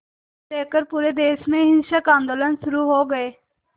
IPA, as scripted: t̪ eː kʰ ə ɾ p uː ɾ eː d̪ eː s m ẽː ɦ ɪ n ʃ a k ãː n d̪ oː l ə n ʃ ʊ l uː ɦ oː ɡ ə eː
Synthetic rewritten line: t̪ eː k ə ɾ p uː ɾ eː d̪ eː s m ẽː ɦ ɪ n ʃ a k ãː n d̪ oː l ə n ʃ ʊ ɾ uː ɦ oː ɡ ə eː